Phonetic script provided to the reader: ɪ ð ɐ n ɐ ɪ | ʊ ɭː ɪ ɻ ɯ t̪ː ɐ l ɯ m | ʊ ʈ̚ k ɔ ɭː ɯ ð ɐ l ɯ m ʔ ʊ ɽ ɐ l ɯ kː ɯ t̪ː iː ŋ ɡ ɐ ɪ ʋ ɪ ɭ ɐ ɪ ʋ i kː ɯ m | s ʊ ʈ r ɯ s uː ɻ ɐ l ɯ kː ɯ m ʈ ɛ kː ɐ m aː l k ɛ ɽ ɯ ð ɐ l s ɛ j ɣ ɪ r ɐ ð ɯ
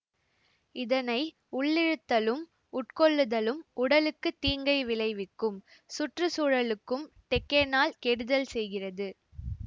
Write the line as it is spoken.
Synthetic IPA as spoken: ɪ ð ɐ n ɐ ɪ | ʊ ɭː ɪ ɻ ɯ t̪ː ɐ l ɯ m | ʊ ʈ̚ k ɔ ɭː ɯ ð ɐ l ɯ m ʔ ʊ ɽ ɐ l ɯ kː ɯ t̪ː iː ŋ ɡ ɐ ɪ ʋ ɪ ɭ ɐ ɪ ʋ ɪ kː ɯ m | s ʊ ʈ r ɯ s uː ɻ ɐ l ɯ kː ɯ m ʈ ɛ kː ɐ n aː l k ɛ ɽ ɯ ð ɐ l s ɛ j ɣ ɪ r ɐ ð ɯ